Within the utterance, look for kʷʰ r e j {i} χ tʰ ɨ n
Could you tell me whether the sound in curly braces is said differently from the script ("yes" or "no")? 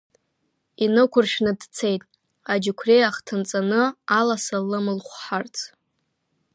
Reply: yes